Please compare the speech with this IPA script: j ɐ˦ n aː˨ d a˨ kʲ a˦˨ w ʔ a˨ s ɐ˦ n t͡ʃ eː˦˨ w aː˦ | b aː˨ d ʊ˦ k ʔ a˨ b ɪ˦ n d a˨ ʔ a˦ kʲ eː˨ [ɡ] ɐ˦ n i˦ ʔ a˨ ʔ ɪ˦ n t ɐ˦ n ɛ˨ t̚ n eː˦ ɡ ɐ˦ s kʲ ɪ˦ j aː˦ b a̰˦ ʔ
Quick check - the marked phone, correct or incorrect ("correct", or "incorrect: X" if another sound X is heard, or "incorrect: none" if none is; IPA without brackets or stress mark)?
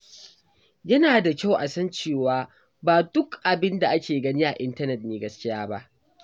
correct